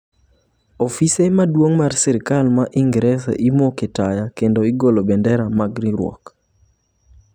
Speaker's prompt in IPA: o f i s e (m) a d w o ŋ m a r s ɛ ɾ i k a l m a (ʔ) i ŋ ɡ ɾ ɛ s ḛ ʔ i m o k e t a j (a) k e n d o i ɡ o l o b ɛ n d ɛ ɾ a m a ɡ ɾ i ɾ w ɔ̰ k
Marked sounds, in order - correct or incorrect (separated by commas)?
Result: correct, correct, correct